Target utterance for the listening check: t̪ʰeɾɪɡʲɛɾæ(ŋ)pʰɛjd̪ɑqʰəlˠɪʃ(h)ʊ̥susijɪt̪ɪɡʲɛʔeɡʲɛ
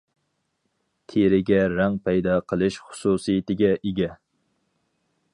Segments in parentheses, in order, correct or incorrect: correct, incorrect

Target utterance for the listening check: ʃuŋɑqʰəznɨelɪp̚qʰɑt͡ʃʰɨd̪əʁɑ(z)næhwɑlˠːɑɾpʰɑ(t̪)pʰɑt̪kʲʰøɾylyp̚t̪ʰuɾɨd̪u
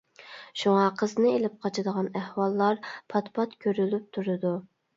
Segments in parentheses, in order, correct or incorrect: incorrect, correct

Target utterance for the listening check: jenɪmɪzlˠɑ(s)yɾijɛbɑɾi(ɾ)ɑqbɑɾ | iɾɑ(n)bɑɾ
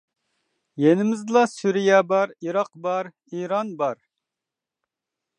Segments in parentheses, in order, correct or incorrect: correct, correct, correct

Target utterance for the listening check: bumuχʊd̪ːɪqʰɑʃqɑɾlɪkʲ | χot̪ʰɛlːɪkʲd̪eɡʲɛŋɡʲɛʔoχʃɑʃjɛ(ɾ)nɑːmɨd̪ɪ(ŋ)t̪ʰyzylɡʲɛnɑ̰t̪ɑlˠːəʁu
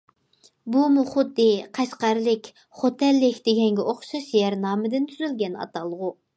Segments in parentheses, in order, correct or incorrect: correct, incorrect

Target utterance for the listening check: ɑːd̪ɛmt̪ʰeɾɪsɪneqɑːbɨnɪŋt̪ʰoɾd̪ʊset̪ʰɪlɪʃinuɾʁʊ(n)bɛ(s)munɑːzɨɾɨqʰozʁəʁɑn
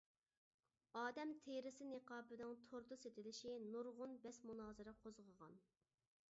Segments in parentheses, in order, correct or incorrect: correct, correct

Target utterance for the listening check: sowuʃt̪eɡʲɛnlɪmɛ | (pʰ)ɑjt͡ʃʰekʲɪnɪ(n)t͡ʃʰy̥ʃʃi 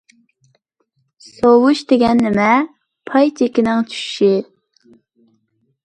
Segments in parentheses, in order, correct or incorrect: correct, incorrect

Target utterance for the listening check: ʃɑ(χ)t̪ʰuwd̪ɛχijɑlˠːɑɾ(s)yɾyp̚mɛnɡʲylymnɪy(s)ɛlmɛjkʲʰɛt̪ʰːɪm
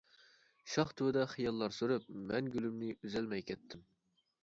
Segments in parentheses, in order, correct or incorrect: correct, correct, incorrect

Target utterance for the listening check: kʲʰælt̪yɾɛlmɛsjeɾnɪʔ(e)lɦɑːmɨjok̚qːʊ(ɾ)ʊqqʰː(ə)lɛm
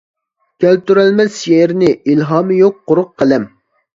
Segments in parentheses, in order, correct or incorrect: incorrect, correct, correct

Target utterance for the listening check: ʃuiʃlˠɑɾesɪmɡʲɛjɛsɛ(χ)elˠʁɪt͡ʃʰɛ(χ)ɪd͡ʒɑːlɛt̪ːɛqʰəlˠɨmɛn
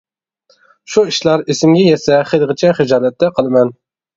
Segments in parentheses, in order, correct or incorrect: correct, correct

